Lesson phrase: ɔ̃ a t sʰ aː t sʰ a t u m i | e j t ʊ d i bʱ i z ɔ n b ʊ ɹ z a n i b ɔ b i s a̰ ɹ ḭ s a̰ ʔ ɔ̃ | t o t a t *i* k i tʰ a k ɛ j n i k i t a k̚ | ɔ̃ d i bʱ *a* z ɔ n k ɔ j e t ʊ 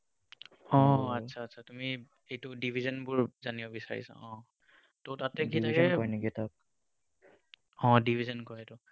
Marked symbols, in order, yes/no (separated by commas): no, no